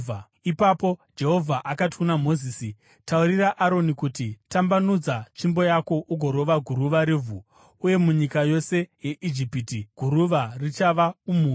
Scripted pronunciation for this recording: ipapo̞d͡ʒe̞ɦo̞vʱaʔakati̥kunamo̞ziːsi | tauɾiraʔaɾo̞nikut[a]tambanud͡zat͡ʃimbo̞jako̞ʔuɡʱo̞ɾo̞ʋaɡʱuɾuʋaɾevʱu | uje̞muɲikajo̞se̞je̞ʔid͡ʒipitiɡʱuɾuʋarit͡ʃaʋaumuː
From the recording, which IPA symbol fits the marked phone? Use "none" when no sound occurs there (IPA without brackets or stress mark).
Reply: i